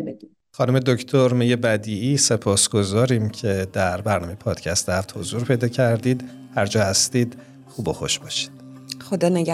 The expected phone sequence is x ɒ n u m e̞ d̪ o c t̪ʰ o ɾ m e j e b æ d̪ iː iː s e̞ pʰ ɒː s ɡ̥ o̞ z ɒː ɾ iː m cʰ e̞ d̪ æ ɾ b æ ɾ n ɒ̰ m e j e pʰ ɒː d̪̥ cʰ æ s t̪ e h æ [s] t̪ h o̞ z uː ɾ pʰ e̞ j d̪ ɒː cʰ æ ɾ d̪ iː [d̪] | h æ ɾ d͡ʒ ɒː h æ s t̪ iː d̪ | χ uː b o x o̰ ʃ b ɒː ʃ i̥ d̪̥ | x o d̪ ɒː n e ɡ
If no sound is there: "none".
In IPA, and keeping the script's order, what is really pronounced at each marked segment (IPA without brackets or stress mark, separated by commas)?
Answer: f, d̪